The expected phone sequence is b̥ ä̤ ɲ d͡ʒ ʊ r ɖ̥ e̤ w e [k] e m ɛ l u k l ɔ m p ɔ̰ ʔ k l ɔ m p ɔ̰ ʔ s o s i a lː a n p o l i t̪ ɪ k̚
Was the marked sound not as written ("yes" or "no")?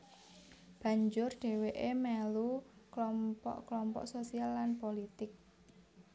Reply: yes